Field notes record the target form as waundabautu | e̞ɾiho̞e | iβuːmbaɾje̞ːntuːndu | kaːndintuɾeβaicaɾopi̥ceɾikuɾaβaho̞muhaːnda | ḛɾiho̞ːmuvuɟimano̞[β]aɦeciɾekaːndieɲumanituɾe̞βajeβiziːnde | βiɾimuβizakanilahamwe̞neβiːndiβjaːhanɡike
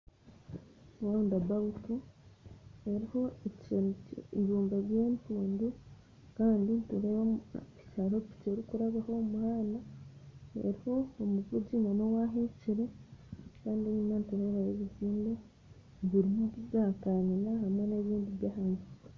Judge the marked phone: incorrect: w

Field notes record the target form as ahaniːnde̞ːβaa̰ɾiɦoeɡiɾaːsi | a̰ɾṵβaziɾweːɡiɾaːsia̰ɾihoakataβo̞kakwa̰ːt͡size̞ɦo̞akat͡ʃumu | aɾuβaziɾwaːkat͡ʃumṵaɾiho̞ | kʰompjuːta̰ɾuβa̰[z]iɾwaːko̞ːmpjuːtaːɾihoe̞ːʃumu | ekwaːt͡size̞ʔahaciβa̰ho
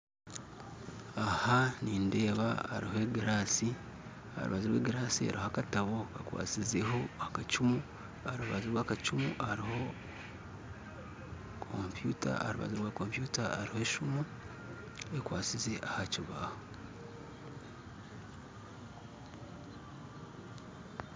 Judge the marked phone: correct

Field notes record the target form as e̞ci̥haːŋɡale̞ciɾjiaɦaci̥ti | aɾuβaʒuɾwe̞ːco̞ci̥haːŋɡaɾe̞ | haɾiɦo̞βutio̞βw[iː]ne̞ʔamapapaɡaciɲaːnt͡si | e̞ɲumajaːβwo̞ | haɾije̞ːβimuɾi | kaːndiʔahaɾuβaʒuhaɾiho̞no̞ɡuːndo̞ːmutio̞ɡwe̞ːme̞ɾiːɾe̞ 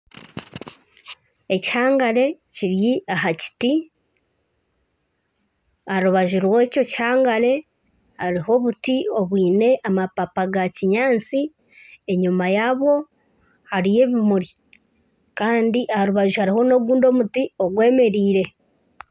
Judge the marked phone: correct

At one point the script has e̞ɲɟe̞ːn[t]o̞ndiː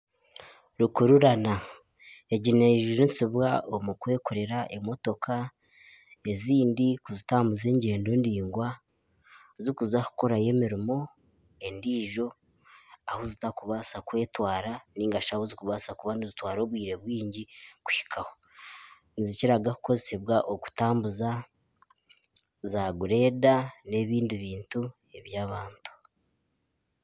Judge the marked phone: incorrect: d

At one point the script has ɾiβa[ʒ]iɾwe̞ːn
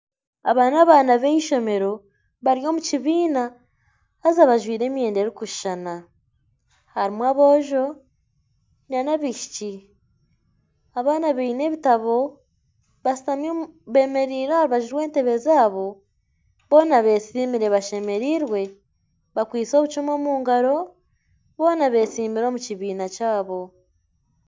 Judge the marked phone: correct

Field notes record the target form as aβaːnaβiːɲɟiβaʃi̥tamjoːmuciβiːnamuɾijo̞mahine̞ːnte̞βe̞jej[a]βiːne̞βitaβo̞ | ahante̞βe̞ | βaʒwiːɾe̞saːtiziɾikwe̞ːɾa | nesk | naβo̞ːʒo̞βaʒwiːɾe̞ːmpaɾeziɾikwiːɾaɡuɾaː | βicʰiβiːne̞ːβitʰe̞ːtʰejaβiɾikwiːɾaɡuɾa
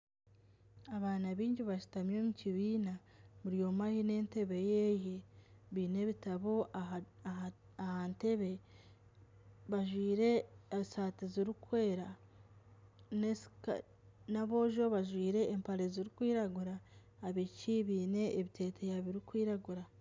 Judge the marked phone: incorrect: e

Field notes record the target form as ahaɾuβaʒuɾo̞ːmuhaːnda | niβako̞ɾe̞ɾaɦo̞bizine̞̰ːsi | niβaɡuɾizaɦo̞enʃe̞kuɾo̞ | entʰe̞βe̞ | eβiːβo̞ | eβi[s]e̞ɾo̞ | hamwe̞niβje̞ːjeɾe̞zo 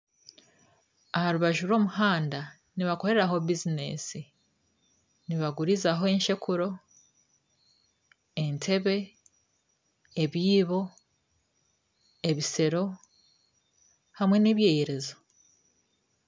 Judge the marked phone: correct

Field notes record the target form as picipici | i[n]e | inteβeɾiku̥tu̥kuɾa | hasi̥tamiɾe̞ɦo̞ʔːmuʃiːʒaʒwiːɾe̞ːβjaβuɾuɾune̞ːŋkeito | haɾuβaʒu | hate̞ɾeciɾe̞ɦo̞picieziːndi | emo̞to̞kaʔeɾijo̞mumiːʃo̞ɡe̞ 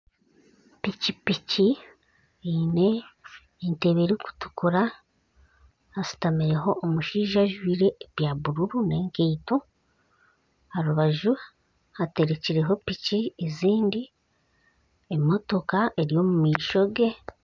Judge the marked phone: correct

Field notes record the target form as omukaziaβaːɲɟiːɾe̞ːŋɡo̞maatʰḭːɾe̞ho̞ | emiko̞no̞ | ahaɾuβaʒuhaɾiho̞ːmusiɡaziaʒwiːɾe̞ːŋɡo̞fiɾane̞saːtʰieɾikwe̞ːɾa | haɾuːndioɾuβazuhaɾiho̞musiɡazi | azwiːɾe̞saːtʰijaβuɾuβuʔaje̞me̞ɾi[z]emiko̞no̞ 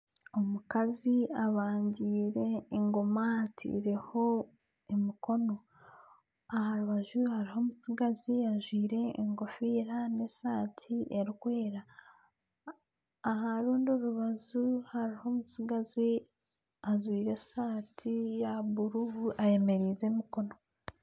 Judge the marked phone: correct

